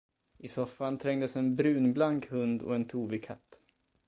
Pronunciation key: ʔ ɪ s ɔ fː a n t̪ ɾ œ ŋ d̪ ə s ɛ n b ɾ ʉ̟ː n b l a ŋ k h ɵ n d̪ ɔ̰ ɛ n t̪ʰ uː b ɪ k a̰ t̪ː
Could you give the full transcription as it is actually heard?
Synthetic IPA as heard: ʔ ɪ s ɔ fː a n t̪ʰ ɾ ɛ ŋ d̪ ə s ɛ n b ɾ ʉ̟ː n b l a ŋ k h ɵ n d̪ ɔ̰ ɛ n t̪ʰ uː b ɪ kʰ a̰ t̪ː